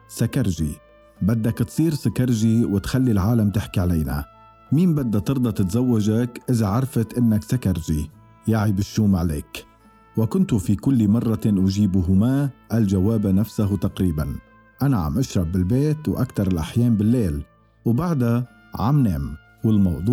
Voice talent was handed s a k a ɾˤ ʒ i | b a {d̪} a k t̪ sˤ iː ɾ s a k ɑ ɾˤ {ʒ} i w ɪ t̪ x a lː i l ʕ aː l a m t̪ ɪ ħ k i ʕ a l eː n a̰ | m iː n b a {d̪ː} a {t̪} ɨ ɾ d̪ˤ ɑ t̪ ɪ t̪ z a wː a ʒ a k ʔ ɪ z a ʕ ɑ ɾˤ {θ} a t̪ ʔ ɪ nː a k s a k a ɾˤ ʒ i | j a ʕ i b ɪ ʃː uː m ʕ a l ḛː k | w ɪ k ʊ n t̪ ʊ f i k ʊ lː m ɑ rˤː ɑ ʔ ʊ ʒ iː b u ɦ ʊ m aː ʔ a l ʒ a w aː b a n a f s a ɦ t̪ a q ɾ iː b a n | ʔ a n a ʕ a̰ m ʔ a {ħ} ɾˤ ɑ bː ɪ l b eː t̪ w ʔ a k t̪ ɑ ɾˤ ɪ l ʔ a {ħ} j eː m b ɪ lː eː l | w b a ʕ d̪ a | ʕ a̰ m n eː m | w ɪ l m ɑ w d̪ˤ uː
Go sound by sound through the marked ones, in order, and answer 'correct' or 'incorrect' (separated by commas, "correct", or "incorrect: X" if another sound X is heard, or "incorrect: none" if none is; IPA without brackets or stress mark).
incorrect: d̪ː, correct, correct, correct, incorrect: f, incorrect: ʃ, correct